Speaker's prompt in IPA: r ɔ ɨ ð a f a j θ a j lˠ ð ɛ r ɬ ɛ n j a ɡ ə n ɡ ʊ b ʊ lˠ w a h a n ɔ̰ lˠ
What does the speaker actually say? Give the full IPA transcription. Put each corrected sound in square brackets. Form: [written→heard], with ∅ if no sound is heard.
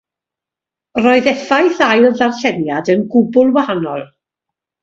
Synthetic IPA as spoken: r ɔ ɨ ð [a→ɛ] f a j θ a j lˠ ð [ɛ→a] r ɬ ɛ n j a [ɡ→d] ə n ɡ ʊ b ʊ lˠ w a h a n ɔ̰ lˠ